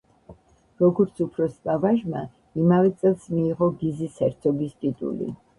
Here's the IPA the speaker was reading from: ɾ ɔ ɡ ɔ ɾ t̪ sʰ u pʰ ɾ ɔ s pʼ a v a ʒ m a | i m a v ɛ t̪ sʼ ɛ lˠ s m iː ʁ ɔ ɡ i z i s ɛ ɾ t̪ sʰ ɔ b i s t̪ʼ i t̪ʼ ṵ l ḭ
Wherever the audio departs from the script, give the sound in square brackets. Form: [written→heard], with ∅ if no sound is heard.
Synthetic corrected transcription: ɾ ɔ ɡ ɔ ɾ t̪ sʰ u pʰ ɾ ɔ s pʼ a v a ʒ m a | i m a v ɛ t̪ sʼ ɛ lˠ s m iː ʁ ɔ ɡ i z i s ɛ ɾ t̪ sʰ ɔ b i s t̪ʼ i t̪ʼ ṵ l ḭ